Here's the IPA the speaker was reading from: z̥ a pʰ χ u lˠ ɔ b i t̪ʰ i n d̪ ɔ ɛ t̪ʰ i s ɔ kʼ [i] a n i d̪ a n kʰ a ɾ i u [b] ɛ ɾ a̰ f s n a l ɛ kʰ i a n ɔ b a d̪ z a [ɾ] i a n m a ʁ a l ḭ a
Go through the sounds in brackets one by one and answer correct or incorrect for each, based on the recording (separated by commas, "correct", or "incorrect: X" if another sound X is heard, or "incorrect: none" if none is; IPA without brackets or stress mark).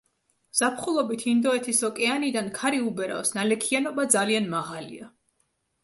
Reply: incorrect: ɛ, correct, incorrect: l